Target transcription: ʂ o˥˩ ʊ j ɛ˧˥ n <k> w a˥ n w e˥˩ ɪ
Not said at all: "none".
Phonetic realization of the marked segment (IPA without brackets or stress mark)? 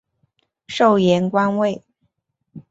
k